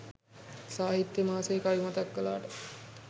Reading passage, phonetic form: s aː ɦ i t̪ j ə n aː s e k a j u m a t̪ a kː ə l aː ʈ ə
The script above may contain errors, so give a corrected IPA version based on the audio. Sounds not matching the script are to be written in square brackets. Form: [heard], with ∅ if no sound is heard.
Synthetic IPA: s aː ɦ i t̪ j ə [m] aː s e k a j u m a t̪ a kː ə l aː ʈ ə